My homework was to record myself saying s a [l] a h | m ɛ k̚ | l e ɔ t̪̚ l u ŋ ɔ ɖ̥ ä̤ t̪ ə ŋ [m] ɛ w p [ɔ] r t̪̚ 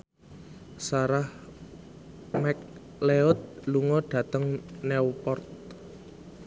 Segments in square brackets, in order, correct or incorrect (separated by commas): incorrect, incorrect, correct